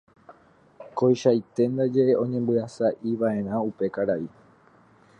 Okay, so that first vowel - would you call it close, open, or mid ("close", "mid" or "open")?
mid